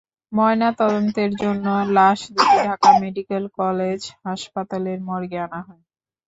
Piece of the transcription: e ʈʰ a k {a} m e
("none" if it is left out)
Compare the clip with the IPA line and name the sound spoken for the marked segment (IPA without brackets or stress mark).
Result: a